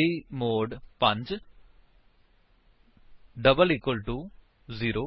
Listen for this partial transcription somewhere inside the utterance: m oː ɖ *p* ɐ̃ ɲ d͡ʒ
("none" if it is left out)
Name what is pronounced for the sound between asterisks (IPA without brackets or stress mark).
p